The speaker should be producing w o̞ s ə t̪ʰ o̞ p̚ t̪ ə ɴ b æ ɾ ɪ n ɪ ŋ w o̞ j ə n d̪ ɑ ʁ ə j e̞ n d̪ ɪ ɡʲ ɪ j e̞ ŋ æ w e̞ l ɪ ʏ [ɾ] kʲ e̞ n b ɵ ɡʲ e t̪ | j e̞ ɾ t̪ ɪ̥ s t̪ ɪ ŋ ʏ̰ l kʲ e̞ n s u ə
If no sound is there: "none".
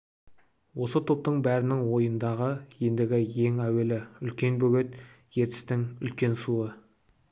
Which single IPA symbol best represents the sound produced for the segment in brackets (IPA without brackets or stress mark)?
l